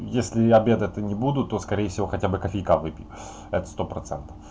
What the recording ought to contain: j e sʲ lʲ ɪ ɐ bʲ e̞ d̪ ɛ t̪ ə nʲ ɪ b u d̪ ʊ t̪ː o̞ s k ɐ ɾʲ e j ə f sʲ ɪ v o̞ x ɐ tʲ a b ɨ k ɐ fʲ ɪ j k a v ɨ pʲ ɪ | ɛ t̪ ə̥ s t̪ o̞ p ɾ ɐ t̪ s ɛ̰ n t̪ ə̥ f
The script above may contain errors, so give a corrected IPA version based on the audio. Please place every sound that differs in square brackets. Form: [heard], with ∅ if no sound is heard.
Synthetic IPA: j e sʲ lʲ ɪ ɐ bʲ e̞ d̪ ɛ t̪ ə nʲ ɪ b u d̪ ʊ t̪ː o̞ s k ɐ ɾʲ e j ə f sʲ ɪ v o̞ x ɐ tʲ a b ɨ k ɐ fʲ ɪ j k a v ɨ pʲ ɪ | ɛ t̪ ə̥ s t̪ o̞ p ɾ ɐ t̪ s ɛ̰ n t̪ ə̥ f